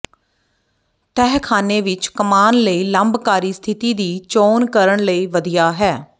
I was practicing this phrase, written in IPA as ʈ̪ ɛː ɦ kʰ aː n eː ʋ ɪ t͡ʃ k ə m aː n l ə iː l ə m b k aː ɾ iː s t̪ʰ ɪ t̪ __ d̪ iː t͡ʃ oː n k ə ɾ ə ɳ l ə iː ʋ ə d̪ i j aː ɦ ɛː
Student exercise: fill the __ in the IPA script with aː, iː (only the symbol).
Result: iː